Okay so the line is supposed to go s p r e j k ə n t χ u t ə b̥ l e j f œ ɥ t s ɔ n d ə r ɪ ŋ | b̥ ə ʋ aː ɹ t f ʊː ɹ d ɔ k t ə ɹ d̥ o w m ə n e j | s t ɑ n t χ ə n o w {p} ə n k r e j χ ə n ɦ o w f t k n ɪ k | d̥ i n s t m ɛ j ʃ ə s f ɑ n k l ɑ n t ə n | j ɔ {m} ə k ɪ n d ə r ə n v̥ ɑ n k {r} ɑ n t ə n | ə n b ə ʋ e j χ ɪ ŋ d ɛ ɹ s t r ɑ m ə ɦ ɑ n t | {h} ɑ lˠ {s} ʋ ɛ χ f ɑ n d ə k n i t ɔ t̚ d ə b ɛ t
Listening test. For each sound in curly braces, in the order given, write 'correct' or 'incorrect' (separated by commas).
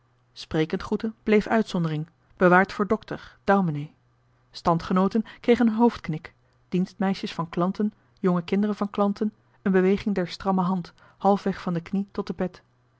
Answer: incorrect, incorrect, incorrect, correct, incorrect